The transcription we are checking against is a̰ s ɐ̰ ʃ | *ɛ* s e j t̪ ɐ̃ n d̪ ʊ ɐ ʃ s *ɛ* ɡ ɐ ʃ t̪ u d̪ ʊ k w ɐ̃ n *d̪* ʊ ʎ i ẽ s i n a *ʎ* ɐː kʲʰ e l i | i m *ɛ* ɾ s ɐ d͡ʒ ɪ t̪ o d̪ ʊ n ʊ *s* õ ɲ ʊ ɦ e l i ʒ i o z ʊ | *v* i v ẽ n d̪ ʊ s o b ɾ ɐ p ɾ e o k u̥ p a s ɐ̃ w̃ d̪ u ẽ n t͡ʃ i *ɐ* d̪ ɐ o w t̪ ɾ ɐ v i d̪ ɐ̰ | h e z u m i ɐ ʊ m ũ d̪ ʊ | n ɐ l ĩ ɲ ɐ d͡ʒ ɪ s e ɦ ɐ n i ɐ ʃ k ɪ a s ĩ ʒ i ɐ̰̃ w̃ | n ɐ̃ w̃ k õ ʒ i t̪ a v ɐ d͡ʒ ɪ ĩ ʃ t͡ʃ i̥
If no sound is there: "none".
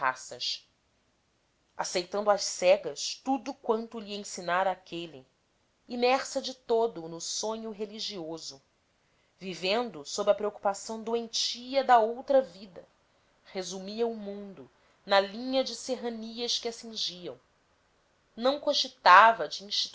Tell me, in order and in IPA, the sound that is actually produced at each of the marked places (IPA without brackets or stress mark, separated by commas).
a, ɛ, t̪, ɾ, ɛ, s, v, ɐ